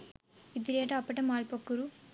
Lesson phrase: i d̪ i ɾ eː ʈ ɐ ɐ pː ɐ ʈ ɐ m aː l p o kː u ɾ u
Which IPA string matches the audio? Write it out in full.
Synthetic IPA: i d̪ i ɾ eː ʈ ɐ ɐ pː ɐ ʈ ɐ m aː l p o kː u ɾ u